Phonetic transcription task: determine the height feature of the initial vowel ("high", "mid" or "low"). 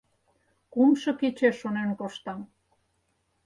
high